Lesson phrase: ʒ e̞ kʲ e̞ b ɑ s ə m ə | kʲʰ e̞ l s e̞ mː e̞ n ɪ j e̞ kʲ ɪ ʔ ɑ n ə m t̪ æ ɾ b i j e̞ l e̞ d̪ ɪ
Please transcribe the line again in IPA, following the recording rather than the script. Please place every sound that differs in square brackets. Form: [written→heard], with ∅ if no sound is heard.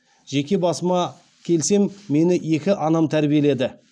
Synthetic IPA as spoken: ʒ e̞ kʲ e̞ b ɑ s ə m [ə→ɑ] | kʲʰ e̞ l s e̞ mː e̞ n ɪ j e̞ kʲ ɪ ʔ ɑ n [ə→ɑ] m [t̪→t̪ʰ] æ ɾ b i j e̞ l e̞ d̪ ɪ